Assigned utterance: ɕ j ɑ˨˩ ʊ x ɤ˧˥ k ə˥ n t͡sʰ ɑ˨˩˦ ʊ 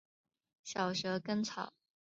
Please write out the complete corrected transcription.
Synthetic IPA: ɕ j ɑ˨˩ ʊ ʂ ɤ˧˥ k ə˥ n t͡sʰ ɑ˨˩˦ ʊ